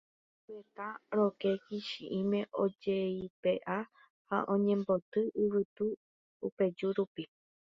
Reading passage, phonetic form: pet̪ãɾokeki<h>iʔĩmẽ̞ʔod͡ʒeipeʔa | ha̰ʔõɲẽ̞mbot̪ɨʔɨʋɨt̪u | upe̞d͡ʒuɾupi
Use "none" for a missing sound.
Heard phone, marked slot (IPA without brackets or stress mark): ʃ